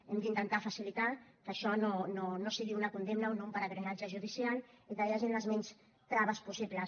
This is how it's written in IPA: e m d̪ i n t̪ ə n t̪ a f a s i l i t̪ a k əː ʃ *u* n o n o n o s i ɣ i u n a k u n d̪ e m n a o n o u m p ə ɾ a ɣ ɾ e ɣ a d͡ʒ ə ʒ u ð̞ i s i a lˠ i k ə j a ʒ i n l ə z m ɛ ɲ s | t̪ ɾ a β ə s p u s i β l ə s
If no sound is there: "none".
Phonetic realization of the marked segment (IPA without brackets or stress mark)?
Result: ɔ